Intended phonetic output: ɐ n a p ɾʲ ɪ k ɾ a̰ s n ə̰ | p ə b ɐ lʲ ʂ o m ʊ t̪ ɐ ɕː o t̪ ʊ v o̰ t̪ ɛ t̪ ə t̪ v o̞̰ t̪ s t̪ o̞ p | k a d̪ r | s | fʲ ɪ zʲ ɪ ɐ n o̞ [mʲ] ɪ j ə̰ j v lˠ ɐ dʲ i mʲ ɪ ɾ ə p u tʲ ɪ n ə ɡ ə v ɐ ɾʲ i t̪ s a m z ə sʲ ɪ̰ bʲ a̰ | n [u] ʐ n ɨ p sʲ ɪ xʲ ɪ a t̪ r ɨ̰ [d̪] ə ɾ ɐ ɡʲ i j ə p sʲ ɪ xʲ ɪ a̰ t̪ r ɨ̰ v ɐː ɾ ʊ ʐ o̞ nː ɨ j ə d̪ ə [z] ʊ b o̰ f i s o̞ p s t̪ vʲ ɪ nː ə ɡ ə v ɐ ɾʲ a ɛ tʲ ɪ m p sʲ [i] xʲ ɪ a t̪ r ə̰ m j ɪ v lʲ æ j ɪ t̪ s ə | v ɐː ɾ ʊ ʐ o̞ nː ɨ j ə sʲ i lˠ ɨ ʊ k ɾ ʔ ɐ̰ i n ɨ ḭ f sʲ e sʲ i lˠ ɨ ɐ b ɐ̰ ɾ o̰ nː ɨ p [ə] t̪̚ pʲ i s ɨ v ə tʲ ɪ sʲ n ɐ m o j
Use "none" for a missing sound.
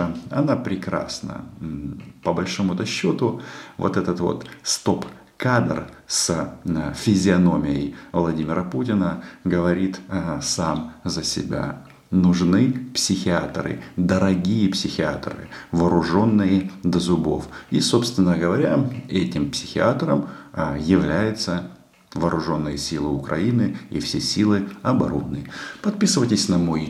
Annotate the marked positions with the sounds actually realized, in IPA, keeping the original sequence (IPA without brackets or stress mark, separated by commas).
mʲ, ʊ, d̪, z, ɪ, ɐ